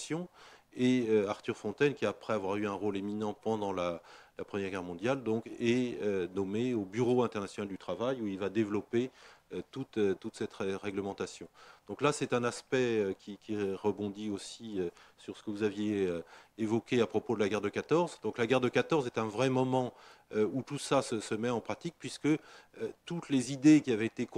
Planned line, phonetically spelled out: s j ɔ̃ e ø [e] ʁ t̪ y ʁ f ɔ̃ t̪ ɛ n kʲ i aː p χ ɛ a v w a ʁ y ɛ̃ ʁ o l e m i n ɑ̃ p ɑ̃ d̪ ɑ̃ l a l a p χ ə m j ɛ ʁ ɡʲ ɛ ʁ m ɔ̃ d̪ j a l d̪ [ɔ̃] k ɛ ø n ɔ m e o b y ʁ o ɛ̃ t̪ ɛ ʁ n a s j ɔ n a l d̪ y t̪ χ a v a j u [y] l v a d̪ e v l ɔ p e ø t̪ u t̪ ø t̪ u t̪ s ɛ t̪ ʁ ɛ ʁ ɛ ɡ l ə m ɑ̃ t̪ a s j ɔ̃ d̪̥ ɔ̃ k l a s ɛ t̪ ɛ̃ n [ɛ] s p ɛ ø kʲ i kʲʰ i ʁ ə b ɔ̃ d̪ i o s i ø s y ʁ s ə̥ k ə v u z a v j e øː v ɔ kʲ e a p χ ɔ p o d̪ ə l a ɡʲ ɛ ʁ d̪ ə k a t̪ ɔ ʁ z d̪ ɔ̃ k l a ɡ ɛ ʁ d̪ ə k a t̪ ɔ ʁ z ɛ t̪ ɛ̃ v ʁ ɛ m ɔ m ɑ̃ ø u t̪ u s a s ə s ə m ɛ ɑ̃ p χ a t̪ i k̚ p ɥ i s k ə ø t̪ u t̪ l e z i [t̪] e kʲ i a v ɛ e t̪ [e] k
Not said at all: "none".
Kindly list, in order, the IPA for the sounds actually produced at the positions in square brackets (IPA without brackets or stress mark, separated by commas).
a, ɔ̃, i, a, d̪, e